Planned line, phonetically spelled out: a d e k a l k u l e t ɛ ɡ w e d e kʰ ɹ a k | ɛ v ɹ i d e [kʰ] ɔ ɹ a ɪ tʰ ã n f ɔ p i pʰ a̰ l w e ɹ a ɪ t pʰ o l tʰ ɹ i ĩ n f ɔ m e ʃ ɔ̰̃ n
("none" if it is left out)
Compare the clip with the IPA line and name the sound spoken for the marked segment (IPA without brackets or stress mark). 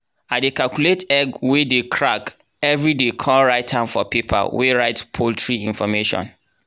kʰ